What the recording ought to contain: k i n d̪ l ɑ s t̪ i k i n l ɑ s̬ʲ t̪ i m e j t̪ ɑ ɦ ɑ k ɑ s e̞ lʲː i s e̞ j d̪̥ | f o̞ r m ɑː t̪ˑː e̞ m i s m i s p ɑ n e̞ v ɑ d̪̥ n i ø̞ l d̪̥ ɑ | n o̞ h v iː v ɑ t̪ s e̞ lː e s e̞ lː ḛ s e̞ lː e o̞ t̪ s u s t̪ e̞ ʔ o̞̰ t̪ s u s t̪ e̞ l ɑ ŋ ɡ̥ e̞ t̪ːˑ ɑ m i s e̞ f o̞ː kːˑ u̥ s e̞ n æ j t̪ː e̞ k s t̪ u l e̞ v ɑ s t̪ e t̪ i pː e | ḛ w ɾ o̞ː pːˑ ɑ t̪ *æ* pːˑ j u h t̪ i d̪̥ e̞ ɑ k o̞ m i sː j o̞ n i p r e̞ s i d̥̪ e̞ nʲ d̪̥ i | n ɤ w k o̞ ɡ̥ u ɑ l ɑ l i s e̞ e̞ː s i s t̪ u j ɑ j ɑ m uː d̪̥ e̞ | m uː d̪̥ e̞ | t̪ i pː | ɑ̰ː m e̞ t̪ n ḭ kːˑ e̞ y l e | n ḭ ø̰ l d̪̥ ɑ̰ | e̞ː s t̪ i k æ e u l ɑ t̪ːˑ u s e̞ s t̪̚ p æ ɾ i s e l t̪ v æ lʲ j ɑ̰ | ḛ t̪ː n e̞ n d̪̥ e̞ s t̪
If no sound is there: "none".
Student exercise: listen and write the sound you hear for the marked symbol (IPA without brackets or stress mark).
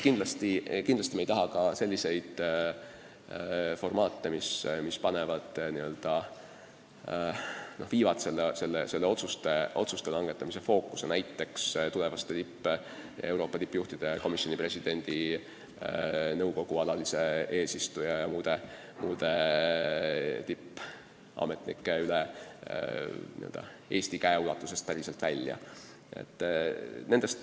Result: i